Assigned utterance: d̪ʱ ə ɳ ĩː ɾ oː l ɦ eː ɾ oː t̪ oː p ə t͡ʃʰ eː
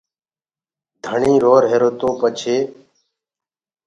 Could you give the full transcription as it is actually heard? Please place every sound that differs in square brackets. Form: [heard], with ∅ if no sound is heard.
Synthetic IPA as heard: d̪ʱ ə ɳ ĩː ɾ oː [ɾ] ɦ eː ɾ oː t̪ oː p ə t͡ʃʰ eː